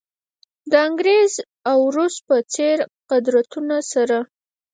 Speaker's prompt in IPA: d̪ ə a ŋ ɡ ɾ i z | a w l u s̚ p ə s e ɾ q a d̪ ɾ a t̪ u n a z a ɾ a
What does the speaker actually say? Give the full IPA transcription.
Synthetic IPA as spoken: d̪ ə a ŋ ɡ ɾ e z | a w ɾ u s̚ p ə t͡s e ɾ q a d̪ ɾ a t̪ u n a s a ɾ a